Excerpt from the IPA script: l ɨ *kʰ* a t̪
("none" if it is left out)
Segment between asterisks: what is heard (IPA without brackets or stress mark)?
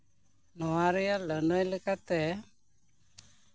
k